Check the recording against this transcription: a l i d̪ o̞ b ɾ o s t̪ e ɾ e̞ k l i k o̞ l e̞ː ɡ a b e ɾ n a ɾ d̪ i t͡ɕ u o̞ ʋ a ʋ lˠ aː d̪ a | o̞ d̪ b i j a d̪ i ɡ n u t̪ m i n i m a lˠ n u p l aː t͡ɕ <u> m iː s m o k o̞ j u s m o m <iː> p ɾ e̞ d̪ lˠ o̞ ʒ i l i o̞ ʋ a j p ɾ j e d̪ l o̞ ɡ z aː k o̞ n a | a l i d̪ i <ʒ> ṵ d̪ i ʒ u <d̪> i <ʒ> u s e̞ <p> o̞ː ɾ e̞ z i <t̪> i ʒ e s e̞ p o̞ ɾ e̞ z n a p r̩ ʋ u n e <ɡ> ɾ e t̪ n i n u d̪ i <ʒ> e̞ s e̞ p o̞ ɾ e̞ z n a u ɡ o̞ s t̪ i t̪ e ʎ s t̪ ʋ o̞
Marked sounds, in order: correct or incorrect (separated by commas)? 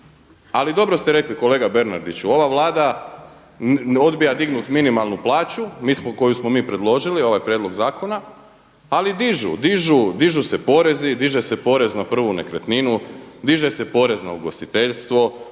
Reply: correct, correct, correct, correct, correct, correct, incorrect, incorrect, correct